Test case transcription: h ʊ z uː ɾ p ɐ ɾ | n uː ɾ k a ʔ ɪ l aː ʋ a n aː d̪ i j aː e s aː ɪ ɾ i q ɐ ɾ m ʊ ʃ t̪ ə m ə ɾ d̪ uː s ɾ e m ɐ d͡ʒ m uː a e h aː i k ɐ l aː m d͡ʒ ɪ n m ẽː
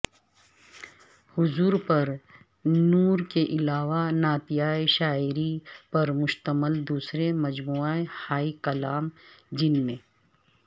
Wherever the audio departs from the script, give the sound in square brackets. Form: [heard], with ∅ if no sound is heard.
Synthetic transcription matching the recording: h ʊ z uː ɾ p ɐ ɾ | n uː ɾ k [e] ʔ ɪ l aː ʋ a n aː [t̪] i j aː e [ʃ] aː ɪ ɾ i [p] ɐ ɾ m ʊ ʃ t̪ ə m ə [l] d̪ uː s ɾ e m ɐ d͡ʒ m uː a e h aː i k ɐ l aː m d͡ʒ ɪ n m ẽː